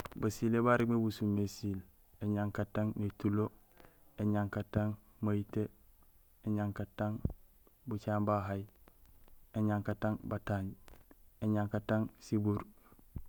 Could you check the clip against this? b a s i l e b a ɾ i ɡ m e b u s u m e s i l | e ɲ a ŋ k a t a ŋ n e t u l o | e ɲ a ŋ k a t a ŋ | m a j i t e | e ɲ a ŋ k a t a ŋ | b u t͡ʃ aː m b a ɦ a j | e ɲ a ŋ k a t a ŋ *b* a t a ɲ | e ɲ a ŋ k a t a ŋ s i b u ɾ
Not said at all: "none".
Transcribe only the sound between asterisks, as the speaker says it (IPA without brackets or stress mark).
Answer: b